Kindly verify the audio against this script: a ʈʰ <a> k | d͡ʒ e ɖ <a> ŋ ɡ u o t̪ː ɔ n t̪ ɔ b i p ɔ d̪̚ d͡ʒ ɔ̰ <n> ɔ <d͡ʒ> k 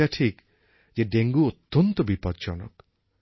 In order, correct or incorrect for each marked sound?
incorrect, incorrect, correct, incorrect

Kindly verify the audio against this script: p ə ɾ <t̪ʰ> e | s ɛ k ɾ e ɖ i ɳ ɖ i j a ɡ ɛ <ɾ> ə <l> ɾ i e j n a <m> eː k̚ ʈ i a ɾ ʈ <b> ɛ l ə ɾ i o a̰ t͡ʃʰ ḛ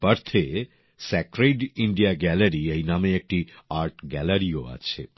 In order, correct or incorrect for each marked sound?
correct, incorrect, incorrect, correct, incorrect

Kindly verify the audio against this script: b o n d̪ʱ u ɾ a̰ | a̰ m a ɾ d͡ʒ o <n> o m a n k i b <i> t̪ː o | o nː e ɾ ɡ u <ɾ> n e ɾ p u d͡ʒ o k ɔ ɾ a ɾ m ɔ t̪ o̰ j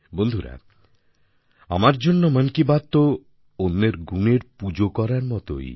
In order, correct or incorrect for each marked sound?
incorrect, incorrect, incorrect

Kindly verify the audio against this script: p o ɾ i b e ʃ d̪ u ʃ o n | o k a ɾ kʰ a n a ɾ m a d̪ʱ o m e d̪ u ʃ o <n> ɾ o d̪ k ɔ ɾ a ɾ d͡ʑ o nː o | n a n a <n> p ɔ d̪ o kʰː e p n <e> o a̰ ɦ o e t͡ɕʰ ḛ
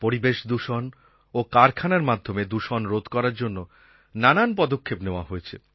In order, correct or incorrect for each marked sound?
correct, correct, correct

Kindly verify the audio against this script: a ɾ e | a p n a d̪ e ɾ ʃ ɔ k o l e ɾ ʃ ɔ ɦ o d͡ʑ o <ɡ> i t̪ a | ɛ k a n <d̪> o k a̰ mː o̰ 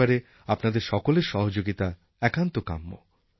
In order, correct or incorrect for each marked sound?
correct, incorrect

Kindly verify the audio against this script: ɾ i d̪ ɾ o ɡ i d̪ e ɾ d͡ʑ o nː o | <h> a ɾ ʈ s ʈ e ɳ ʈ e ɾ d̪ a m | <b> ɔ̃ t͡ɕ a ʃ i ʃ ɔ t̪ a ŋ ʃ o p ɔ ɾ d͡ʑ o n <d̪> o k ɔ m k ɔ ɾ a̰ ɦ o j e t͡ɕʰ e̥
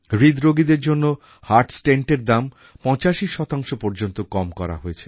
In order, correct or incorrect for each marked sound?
correct, incorrect, incorrect

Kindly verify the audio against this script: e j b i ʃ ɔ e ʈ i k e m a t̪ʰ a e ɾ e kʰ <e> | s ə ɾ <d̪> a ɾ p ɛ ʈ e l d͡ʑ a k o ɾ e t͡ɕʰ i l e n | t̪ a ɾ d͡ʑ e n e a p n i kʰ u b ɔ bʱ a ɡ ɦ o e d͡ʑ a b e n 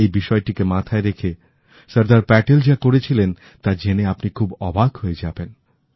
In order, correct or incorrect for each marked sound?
correct, correct

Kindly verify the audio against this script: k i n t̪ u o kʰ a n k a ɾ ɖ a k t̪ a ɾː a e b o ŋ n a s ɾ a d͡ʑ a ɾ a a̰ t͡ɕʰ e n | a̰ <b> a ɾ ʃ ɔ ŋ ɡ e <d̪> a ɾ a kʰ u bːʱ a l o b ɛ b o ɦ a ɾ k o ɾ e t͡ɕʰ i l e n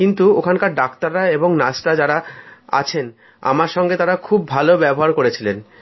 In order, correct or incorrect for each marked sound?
incorrect, incorrect

